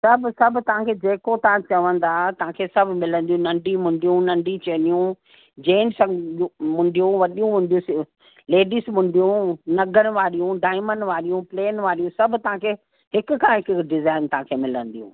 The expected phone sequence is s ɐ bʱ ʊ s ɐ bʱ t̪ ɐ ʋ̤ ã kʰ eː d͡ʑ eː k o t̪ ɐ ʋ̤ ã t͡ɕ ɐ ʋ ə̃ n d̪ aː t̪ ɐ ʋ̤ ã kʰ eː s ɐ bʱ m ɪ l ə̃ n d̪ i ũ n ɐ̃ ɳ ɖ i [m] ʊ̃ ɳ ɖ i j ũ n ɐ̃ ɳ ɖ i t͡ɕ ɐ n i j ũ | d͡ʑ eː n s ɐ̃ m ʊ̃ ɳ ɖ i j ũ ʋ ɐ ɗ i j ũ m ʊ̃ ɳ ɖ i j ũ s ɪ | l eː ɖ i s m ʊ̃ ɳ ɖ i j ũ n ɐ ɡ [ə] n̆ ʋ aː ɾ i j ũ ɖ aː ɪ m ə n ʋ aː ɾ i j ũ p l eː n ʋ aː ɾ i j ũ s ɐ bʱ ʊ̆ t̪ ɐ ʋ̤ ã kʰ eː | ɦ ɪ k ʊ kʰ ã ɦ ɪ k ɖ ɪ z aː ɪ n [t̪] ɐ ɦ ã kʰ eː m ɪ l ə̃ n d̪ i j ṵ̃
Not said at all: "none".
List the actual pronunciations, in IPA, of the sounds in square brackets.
m, ə, t̪

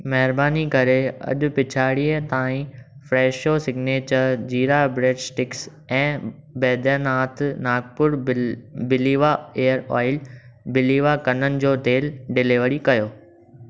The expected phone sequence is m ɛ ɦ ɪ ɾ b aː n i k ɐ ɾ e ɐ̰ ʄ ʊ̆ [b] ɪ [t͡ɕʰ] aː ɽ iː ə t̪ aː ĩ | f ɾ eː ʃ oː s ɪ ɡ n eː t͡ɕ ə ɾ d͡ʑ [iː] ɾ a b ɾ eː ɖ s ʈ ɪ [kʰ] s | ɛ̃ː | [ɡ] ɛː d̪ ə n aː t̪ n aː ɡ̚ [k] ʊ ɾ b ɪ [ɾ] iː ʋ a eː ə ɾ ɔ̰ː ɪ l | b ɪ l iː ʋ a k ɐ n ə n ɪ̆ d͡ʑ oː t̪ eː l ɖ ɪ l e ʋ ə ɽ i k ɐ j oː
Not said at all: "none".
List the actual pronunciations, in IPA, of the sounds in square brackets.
p, t͡ɕʰ, iː, k, b, p, l

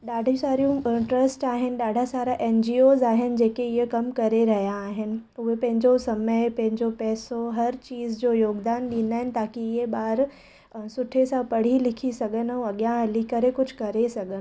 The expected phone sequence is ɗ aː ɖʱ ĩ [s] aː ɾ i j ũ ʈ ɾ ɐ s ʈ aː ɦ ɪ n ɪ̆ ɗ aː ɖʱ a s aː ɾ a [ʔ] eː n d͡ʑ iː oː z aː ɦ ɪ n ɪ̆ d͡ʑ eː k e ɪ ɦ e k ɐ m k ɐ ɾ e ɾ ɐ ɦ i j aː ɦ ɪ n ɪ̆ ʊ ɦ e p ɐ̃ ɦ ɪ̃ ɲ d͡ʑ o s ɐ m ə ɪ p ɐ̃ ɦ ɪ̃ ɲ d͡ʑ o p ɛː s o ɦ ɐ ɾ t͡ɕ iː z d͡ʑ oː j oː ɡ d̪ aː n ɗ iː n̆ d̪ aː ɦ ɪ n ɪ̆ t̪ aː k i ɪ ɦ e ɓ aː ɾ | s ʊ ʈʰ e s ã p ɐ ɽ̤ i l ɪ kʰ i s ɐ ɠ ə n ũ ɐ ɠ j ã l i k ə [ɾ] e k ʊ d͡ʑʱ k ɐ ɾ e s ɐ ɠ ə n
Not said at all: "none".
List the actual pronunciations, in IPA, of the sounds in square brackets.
s, ʔ, ɾ

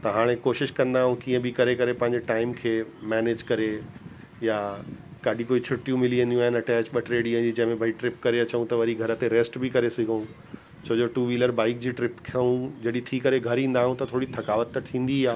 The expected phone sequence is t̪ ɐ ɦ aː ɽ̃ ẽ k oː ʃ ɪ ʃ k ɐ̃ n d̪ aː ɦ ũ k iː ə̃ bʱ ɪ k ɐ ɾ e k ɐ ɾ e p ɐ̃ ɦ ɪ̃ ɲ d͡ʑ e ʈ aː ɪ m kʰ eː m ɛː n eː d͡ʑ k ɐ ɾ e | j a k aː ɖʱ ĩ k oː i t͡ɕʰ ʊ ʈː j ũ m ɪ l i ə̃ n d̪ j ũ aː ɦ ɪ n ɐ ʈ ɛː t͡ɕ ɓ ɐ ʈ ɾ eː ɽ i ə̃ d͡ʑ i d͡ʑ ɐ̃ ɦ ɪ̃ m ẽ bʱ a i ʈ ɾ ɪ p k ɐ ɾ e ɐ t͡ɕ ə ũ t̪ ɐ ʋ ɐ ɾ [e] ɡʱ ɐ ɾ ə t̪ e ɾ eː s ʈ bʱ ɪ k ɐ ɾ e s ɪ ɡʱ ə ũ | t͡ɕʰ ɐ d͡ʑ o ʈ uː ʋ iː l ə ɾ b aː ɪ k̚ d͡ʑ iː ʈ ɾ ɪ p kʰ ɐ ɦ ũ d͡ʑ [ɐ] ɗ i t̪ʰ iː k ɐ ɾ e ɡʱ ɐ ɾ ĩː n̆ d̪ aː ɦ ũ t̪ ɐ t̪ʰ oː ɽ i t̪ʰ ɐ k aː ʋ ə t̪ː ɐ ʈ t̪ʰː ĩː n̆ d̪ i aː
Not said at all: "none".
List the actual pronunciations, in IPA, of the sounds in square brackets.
i, ɐ

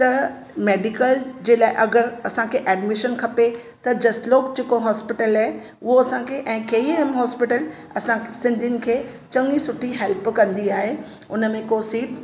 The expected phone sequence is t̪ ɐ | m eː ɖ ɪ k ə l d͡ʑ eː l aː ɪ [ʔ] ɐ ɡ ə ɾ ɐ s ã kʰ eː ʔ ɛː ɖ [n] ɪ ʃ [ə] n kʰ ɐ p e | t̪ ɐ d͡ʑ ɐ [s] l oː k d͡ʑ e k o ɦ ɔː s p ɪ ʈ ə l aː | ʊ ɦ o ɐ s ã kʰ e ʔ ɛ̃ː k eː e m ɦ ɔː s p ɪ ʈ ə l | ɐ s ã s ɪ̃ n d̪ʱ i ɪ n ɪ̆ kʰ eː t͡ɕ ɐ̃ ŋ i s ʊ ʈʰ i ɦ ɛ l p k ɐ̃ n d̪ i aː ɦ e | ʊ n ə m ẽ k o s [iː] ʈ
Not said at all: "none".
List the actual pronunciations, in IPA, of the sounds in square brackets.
ʔ, m, ə, s, iː

